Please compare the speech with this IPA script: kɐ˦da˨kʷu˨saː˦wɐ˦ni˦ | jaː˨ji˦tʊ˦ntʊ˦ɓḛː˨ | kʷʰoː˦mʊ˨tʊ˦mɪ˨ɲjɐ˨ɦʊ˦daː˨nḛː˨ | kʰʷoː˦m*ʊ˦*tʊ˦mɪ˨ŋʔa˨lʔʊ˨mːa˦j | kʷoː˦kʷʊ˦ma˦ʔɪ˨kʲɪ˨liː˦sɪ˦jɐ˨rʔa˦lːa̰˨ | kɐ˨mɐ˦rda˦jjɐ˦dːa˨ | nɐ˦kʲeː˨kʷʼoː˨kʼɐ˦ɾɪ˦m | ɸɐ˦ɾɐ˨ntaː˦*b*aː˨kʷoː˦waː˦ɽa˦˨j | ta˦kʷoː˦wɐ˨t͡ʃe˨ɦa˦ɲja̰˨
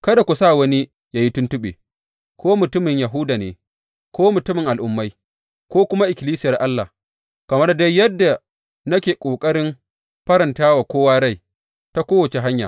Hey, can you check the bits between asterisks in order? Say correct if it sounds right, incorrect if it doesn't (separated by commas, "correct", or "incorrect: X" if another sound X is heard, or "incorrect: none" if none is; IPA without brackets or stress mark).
incorrect: ʊ˨, incorrect: w